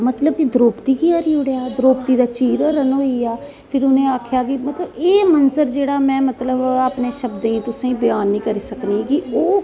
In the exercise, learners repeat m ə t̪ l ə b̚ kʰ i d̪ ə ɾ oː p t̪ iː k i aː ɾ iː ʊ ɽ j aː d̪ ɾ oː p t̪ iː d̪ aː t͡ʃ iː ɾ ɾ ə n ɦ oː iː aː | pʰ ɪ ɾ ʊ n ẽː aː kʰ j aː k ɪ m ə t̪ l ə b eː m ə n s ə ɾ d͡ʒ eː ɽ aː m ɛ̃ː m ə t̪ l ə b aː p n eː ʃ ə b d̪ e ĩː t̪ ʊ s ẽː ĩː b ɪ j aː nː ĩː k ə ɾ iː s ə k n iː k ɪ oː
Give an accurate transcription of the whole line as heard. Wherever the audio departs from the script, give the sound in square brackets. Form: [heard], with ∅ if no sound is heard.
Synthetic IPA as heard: m ə t̪ l ə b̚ [k] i d̪ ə ɾ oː p t̪ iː k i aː ɾ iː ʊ ɽ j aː d̪ ɾ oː p t̪ iː d̪ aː t͡ʃ iː ɾ ɾ ə n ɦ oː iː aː | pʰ ɪ ɾ ʊ n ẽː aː kʰ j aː k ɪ m ə t̪ l ə b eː m ə n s ə ɾ d͡ʒ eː ɽ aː m ɛ̃ː m ə t̪ l ə b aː p n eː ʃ ə b d̪ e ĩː t̪ ʊ s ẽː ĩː b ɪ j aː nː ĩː k ə ɾ iː s ə k n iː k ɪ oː